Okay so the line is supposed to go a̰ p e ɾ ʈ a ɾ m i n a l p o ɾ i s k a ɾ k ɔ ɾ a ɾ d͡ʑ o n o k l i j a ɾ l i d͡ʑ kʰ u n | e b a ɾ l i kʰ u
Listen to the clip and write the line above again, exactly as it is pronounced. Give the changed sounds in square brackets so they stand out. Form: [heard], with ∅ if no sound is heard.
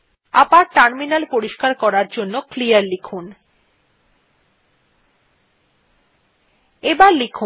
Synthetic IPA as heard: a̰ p [a] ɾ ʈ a ɾ m i n a l p o ɾ i [ʃ] k a ɾ k ɔ ɾ a ɾ d͡ʑ o [nː] o k l i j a ɾ l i [∅] kʰ u n | e b a ɾ l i kʰ u

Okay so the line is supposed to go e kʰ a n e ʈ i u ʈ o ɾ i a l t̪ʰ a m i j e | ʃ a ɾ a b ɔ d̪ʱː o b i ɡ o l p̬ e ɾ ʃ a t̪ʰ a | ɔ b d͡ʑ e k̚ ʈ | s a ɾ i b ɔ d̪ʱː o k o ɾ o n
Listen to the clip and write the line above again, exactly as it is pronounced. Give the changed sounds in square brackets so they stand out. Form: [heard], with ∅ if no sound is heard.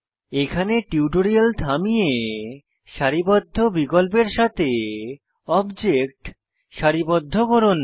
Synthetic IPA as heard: e kʰ a n e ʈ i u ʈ o ɾ i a l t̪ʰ a m i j e | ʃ a ɾ [i] b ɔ d̪ʱː o b i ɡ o l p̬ e ɾ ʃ a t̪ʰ [e] | ɔ b d͡ʑ e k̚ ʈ | [ʃ] a ɾ i b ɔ d̪ʱː o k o ɾ o n

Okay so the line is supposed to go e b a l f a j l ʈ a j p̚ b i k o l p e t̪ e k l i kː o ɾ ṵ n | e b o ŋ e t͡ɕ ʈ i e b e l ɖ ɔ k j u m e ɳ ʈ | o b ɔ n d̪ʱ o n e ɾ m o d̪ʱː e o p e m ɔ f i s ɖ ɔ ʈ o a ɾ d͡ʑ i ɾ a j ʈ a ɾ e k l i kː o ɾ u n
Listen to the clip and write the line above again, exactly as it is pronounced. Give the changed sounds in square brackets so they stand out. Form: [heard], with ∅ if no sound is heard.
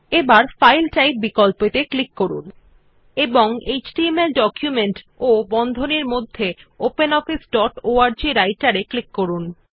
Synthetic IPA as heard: e b a [ɾ] f a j l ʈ a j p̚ b i k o l p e t̪ e k l i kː o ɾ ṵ n | e b o ŋ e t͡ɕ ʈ i e [m] e l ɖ ɔ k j u m e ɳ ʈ | o b ɔ n d̪ʱ o n e ɾ m o d̪ʱː e o p e [n] ɔ f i s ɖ ɔ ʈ o a ɾ d͡ʑ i ɾ a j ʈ a ɾ e k l i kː o ɾ u n

